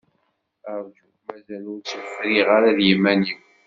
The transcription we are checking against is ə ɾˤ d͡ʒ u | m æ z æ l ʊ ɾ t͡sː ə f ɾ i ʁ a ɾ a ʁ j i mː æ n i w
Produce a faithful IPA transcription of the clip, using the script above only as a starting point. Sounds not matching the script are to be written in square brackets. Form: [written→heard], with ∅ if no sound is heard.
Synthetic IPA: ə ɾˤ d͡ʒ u | m æ z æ l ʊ ɾ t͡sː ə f ɾ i ʁ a ɾ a [ʁ→ð] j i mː æ n i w

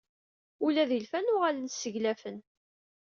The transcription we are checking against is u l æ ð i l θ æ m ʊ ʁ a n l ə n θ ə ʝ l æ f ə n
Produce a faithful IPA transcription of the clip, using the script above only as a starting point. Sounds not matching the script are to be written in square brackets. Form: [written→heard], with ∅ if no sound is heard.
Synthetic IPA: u l æ ð i l [θ→f] æ [m→n] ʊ ʁ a [n→∅] l ə n [θ→s] ə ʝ l æ f ə n

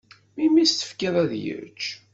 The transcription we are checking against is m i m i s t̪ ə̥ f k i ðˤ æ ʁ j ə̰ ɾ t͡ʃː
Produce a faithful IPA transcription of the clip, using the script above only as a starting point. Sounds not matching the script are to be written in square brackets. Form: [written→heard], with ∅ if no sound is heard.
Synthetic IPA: m i m i s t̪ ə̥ f k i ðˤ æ [ʁ→ð] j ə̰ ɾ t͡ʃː

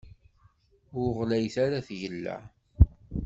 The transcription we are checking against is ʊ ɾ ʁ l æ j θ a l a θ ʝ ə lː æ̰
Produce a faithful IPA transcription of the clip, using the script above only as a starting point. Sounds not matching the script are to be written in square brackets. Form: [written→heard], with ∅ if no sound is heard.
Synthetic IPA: ʊ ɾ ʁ l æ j θ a [l→ɾ] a θ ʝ ə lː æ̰

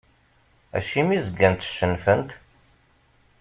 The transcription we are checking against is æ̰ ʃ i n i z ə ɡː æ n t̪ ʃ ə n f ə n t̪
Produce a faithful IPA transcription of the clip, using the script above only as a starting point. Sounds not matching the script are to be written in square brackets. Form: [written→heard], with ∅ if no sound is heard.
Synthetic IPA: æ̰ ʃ i [n→m] i z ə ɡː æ n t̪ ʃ ə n f ə n t̪

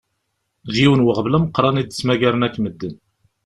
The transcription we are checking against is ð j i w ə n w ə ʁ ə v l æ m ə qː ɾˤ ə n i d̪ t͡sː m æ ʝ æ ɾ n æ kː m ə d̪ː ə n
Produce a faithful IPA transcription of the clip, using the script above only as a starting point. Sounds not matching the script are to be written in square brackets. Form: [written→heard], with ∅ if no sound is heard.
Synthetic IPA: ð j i w ə n w ə ʁ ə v l æ m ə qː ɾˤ [ə→ɑ] n i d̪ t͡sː m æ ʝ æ ɾ n æ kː m ə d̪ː ə n

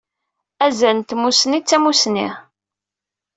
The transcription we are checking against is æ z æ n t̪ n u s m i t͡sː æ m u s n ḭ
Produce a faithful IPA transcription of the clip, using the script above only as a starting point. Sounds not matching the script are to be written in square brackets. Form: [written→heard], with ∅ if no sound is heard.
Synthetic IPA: æ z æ n t̪ [n→m] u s [m→n] i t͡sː æ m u s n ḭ

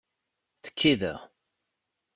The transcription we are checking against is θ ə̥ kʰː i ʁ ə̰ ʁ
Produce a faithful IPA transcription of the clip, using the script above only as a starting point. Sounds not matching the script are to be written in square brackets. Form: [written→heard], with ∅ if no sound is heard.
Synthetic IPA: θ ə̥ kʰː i [ʁ→ð] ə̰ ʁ

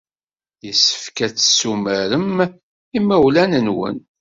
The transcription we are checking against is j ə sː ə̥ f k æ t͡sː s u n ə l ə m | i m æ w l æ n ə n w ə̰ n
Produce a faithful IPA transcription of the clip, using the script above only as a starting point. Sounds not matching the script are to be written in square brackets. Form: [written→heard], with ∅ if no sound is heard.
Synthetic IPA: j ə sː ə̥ f k æ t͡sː s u [n→m] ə [l→ɾ] ə m | i m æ w l æ n ə n w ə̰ n

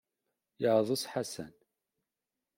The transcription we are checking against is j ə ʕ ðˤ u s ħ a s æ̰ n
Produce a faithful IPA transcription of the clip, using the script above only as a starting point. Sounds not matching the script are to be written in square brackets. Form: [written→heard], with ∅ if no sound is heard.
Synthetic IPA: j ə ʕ ðˤ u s ħ a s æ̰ n

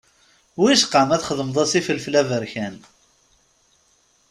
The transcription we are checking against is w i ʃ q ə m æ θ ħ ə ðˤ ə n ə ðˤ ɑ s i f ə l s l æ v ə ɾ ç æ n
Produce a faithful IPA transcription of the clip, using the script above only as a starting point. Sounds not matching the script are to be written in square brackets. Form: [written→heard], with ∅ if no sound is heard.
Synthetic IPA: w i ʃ q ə m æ θ [ħ→χ] ə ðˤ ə [n→m] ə ðˤ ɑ s i f ə l [s→f] l æ v ə ɾ ç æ n

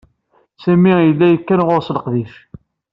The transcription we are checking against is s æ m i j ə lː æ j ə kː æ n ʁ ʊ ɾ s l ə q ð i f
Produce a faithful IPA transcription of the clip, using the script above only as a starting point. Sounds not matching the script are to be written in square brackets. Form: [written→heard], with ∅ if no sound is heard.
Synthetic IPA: s æ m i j ə lː æ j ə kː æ n ʁ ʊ ɾ s l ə q ð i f

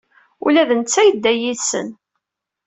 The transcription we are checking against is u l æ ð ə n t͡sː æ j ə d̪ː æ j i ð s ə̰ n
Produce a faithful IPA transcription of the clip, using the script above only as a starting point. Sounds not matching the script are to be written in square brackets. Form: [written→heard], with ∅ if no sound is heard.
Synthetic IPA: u l æ ð ə n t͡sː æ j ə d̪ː æ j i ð s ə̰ n

